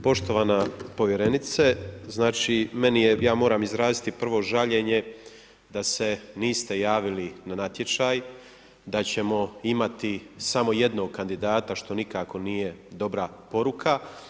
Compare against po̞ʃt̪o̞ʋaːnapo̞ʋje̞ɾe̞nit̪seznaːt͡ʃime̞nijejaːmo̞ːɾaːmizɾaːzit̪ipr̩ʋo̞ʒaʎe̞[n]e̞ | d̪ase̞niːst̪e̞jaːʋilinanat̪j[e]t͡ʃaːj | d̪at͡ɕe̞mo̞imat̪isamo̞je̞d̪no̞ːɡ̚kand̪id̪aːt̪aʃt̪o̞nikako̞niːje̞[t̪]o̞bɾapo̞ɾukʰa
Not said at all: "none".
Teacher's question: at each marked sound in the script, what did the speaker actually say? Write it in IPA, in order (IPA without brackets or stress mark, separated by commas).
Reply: ɲ, e, d̪